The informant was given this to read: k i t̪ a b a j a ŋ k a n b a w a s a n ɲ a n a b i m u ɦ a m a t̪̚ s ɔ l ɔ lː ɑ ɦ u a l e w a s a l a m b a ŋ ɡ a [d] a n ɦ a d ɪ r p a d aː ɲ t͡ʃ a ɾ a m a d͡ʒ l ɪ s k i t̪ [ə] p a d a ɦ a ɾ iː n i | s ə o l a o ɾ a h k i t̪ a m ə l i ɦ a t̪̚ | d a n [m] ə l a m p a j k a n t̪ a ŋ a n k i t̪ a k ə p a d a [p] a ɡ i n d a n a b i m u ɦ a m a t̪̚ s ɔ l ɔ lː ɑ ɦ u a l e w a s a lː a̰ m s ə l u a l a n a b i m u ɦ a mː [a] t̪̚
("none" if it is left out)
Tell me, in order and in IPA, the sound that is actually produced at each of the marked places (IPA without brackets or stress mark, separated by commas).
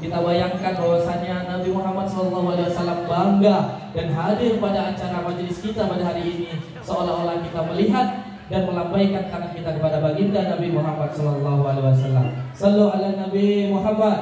d, a, m, b, a